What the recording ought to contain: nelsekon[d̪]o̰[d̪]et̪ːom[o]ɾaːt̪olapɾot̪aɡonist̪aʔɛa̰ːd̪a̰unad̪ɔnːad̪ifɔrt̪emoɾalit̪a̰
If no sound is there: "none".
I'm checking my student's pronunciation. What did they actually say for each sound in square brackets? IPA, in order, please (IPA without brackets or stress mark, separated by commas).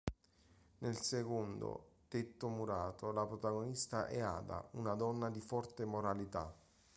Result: d̪, t̪, u